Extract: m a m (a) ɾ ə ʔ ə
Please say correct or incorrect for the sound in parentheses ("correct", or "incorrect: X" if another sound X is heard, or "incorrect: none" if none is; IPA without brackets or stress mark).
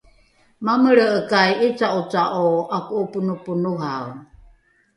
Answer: incorrect: ə